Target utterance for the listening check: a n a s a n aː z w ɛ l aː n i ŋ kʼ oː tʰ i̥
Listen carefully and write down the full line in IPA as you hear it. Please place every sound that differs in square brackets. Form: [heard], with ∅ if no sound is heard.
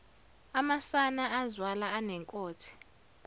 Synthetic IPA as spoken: a [m] a s a n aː z w [a] l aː n [ɛ] ŋ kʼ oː tʰ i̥